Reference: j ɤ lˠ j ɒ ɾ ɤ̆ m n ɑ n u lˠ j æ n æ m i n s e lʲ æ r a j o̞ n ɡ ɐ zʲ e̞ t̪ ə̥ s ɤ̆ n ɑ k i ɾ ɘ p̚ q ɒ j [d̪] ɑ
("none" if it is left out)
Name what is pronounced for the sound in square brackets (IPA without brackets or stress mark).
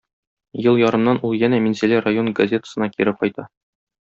t̪